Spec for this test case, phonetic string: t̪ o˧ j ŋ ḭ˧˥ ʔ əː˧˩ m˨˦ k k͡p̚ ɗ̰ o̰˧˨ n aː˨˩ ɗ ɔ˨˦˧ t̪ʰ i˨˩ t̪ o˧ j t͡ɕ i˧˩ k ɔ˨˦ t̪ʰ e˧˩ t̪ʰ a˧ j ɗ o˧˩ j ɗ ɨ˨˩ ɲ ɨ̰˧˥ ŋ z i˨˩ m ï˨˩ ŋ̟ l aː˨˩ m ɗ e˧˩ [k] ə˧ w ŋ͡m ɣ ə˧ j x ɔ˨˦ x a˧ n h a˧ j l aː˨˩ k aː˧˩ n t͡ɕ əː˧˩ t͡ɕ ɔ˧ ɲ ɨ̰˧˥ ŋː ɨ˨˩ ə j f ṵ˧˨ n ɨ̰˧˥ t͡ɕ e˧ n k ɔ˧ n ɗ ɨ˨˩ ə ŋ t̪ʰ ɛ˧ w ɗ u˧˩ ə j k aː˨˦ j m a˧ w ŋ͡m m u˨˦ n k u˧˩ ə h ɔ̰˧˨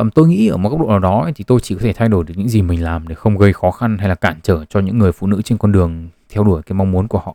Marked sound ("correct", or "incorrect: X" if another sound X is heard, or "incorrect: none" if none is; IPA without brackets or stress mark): incorrect: x